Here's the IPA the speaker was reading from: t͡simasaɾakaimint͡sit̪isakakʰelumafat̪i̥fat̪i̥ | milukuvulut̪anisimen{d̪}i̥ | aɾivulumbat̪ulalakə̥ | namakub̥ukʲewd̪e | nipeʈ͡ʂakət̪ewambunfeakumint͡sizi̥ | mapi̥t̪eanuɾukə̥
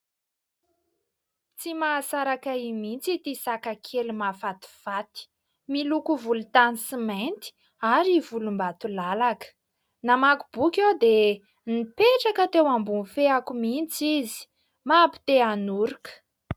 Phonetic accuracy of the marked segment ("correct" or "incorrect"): incorrect